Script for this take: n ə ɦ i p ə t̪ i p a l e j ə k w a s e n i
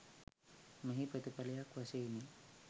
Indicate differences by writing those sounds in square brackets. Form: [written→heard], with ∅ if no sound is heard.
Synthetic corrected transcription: [n→m] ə ɦ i p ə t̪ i p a l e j [ə→a] k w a s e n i